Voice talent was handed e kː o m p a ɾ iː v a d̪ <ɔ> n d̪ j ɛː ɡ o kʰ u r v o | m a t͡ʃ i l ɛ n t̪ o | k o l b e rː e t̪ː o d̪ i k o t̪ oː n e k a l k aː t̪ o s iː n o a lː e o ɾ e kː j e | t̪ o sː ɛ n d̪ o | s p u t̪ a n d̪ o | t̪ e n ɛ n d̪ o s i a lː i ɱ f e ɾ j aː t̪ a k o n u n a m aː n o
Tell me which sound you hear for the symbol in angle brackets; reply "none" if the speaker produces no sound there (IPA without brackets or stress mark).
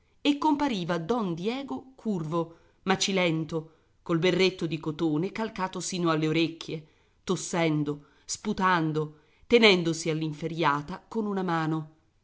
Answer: ɔ